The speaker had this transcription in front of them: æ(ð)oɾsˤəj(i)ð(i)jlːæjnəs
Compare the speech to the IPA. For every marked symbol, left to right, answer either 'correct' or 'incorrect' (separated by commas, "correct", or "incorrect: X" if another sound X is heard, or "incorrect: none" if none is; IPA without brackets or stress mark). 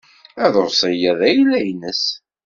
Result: correct, incorrect: æ, incorrect: æ